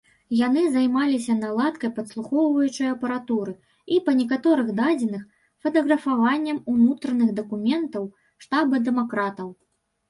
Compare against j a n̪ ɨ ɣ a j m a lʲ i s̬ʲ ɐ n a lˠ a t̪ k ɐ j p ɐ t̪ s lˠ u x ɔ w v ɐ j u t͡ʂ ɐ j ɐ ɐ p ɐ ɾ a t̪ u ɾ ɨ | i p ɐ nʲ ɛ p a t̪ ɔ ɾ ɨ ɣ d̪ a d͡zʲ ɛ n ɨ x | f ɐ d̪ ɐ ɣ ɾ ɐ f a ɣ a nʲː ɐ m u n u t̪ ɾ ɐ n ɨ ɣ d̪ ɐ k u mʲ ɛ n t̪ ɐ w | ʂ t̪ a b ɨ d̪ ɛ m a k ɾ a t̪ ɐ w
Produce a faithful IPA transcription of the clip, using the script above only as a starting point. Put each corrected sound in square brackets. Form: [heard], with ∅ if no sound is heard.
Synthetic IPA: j a n̪ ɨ [z] a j m a lʲ i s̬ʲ ɐ n a lˠ a t̪ k ɐ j p ɐ t̪ s lˠ u x ɔ w v ɐ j u t͡ʂ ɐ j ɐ ɐ p ɐ ɾ a t̪ u ɾ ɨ | i p ɐ nʲ ɛ [k] a t̪ ɔ ɾ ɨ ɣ d̪ a d͡zʲ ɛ n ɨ x | f ɐ [t̪] ɐ ɣ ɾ ɐ f a [v] a nʲː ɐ m u n u t̪ ɾ ɐ n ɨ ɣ d̪ ɐ k u mʲ ɛ n t̪ ɐ w | ʂ t̪ a b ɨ d̪ ɛ m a k ɾ a t̪ ɐ w